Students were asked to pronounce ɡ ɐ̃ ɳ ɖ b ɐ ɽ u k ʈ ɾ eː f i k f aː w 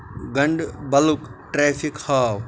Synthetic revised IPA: ɡ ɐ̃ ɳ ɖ b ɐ l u k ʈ ɾ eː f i k h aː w